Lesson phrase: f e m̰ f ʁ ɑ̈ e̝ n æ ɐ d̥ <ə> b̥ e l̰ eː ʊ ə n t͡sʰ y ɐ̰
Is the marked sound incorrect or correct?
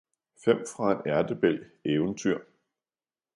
correct